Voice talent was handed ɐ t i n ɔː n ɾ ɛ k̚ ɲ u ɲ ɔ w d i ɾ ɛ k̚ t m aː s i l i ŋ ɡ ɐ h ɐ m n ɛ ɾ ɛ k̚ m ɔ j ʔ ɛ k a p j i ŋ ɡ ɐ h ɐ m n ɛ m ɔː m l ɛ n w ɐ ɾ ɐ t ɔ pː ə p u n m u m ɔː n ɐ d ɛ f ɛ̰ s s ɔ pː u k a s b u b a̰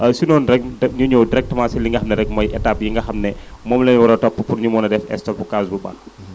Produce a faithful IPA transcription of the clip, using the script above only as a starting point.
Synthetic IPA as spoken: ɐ s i n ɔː n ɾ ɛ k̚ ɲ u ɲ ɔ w d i ɾ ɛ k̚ t m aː s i l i ŋ ɡ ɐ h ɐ m n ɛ ɾ ɛ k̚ m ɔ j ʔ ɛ t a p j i ŋ ɡ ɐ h ɐ m n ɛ m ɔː m l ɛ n w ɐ ɾ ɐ t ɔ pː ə p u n ɲ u m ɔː n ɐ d ɛ f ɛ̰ s t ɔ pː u k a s b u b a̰